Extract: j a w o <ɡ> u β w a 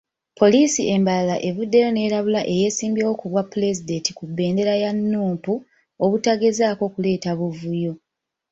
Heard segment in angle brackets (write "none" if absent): k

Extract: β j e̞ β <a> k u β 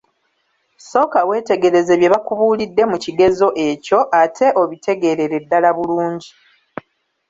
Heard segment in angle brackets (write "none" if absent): a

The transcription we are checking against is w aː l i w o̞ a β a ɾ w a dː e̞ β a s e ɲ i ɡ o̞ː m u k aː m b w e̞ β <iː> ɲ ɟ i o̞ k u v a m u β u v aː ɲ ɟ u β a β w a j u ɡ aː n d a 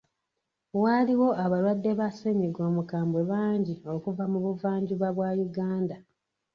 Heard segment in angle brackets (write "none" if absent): aː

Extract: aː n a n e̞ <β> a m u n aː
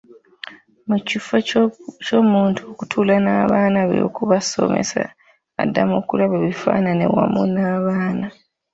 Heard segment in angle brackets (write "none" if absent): w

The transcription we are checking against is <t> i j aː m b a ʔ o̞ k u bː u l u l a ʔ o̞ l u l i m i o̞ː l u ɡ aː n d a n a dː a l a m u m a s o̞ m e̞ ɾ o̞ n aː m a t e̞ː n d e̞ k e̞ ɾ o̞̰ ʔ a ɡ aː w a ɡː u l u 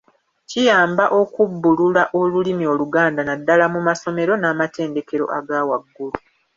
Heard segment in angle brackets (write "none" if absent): c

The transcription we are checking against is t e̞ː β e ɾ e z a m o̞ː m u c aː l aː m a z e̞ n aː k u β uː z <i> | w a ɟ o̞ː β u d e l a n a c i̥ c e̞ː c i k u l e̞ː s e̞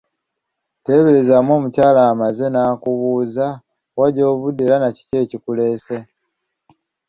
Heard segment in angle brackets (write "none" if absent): a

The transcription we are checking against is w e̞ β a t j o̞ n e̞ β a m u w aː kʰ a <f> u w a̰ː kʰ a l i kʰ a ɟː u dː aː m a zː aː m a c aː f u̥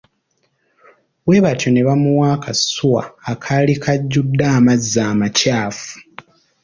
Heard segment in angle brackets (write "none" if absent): s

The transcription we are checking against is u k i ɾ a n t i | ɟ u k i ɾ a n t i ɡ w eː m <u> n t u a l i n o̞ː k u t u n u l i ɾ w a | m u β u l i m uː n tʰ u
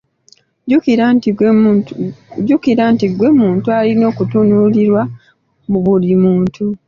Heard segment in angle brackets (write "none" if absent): uː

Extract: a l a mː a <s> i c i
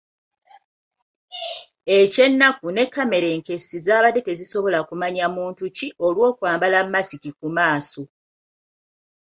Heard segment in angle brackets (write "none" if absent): s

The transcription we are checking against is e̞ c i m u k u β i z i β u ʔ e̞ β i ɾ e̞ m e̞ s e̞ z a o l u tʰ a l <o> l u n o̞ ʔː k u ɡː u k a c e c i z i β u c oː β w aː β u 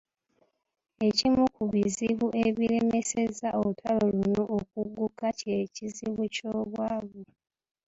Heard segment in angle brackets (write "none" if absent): o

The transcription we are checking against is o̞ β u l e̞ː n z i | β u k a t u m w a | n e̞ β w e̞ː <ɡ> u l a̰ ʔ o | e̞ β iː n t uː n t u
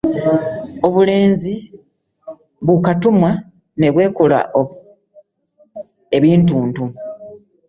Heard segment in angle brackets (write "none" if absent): k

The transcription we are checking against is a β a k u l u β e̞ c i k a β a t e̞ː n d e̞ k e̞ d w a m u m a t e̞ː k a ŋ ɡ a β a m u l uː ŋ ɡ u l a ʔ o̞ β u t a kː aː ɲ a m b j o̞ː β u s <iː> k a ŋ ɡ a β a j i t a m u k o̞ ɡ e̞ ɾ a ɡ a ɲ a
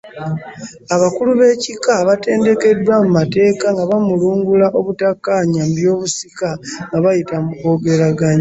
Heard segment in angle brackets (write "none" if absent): i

